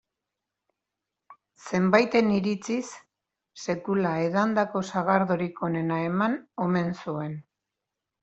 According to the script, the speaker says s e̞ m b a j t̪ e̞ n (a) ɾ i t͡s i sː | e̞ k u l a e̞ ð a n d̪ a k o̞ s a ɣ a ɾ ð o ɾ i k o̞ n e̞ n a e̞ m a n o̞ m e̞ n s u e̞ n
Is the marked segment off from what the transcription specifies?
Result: yes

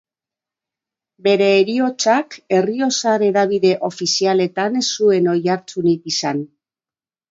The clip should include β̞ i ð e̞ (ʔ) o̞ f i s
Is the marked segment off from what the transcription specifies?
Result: no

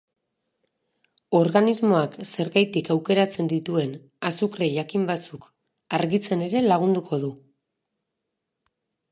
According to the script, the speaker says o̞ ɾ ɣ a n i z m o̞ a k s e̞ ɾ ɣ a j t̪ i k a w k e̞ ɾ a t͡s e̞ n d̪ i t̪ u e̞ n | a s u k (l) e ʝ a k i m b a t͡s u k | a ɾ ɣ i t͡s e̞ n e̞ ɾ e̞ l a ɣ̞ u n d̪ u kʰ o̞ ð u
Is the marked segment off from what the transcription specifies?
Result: yes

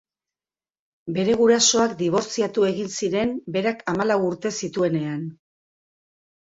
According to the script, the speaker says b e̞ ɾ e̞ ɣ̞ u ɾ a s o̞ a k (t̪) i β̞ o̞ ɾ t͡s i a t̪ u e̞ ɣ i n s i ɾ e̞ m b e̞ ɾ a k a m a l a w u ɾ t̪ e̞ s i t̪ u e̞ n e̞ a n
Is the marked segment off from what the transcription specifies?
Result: yes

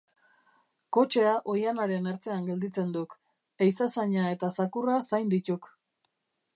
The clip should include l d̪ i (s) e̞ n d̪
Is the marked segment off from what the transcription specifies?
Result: yes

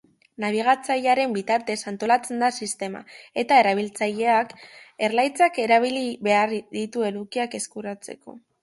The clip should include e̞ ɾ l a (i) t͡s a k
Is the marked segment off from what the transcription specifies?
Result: yes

